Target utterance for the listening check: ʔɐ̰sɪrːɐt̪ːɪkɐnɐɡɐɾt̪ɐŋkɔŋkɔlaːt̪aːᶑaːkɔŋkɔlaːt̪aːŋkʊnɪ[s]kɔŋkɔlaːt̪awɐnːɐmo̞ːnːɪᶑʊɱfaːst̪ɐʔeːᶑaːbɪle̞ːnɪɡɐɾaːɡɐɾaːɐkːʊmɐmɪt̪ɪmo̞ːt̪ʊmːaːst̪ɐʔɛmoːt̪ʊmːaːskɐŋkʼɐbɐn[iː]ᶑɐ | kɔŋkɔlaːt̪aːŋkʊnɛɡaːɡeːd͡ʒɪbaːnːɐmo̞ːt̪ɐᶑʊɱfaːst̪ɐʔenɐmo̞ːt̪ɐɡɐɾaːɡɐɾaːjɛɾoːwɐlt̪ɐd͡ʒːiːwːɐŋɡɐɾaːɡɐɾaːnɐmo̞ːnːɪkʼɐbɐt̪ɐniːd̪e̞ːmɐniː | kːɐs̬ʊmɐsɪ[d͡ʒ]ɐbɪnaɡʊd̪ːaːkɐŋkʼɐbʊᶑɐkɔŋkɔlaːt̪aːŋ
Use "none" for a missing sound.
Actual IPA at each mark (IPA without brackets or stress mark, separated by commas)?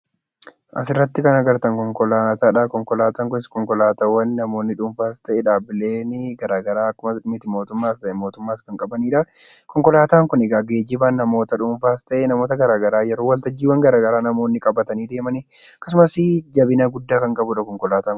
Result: s, iː, d͡ʒ